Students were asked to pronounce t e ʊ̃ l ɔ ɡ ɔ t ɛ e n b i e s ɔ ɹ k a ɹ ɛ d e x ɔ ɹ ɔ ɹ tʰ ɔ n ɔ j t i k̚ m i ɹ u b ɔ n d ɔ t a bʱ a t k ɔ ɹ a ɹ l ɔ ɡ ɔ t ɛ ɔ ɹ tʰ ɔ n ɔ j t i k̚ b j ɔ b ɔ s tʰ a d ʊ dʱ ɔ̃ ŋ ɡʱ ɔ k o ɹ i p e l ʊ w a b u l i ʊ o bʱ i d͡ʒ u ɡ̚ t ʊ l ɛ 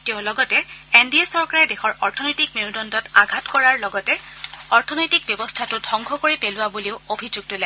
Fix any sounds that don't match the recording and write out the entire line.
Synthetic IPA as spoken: t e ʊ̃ l ɔ ɡ ɔ t ɛ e n d i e s ɔ ɹ k a ɹ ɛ d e x ɔ ɹ ɔ ɹ tʰ ɔ n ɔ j t i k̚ m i ɹ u d ɔ n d ɔ t a ɡʱ a t k ɔ ɹ a ɹ l ɔ ɡ ɔ t ɛ ɔ ɹ tʰ ɔ n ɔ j t i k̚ b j ɔ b ɔ s tʰ a t ʊ dʱ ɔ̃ ŋ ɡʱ ɔ k o ɹ i p e l ʊ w a b u l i ʊ o bʱ i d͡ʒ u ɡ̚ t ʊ l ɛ